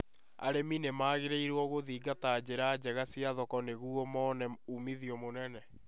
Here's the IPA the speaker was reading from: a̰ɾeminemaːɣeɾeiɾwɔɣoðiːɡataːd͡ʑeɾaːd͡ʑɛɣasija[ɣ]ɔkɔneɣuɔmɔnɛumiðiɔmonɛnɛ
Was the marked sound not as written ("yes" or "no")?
yes